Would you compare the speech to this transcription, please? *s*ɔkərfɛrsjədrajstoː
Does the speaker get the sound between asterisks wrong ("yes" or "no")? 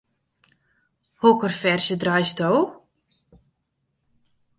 yes